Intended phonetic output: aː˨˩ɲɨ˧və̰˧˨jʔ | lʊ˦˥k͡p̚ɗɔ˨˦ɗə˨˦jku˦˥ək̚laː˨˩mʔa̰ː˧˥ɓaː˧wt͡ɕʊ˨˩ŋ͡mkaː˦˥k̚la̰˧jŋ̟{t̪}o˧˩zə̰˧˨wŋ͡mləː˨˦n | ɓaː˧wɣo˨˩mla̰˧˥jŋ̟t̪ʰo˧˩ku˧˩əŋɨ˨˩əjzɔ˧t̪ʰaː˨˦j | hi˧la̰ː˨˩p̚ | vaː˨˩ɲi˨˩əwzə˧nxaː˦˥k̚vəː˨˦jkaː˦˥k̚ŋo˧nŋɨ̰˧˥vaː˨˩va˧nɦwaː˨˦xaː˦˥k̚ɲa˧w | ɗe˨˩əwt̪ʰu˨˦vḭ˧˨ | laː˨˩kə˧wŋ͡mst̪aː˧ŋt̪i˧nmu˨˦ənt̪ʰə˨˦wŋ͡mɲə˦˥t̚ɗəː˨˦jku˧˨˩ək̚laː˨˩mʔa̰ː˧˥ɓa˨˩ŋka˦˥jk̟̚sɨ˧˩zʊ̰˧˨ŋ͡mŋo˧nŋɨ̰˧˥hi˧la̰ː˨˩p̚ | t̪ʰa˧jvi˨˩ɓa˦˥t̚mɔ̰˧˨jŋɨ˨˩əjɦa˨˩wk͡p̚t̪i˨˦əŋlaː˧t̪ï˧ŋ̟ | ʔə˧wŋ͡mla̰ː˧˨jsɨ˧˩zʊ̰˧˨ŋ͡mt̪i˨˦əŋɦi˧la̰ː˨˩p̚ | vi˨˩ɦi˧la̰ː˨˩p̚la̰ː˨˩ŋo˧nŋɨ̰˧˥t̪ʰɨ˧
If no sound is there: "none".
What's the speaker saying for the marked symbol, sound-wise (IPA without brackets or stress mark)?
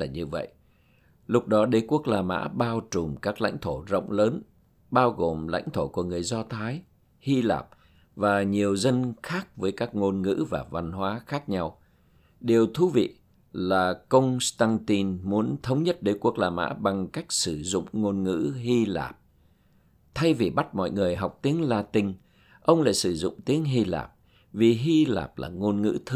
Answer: t̪ʰ